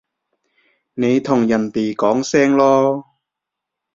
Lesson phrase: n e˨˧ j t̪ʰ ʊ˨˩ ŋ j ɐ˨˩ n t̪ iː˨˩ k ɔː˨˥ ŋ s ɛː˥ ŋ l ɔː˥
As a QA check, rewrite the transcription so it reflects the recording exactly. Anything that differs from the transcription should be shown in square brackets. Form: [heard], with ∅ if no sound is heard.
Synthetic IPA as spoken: n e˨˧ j t̪ʰ ʊ˨˩ ŋ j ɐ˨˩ n t̪ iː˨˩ k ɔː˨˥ ŋ s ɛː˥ ŋ l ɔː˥